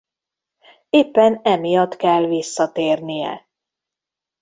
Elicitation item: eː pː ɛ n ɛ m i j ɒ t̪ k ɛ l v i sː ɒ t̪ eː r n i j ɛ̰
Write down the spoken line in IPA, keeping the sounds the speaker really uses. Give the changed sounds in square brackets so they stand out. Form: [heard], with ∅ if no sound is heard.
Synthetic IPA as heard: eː pː ɛ n ɛ m i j ɒ t̪ k ɛ l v i sː ɒ t̪ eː r n i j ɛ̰